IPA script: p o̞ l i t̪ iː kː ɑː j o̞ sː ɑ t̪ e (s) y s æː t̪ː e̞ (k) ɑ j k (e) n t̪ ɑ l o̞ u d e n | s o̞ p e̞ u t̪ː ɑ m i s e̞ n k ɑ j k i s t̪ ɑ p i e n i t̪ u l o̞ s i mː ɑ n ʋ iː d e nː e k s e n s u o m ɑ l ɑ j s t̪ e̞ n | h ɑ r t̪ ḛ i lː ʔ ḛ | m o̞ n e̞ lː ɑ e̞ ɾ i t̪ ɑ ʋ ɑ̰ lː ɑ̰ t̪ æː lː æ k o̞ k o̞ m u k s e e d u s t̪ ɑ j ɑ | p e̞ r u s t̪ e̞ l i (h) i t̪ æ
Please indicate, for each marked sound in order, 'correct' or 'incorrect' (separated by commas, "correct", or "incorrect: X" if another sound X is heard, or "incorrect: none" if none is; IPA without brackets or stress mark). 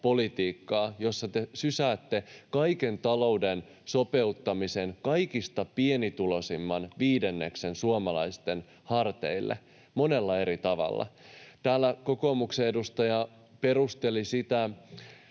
correct, correct, correct, incorrect: s